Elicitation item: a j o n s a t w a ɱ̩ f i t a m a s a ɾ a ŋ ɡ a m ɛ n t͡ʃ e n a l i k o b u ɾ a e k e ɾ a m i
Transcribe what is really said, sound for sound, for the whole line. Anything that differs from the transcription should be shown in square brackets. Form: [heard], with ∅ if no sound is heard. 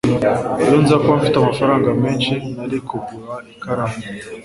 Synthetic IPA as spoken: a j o n [z] a [k] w a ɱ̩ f i t a m a [f] a ɾ a ŋ ɡ a m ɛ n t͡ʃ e n a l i k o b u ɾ a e k [a] ɾ a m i